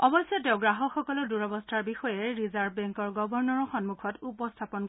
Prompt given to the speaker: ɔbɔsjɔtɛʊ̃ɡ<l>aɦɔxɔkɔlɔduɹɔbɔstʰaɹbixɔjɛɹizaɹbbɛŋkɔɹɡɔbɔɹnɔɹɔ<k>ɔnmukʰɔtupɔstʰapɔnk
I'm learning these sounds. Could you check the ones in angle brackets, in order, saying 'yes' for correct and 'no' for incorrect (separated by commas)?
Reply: no, no